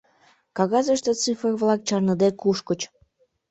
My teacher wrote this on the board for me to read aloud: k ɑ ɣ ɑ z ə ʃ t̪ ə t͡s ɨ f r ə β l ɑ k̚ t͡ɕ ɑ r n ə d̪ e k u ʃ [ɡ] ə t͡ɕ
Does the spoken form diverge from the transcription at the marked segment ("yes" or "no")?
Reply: yes